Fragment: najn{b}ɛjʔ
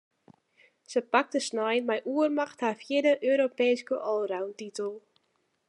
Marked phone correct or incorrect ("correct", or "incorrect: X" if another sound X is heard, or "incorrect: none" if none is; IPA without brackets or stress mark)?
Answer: incorrect: m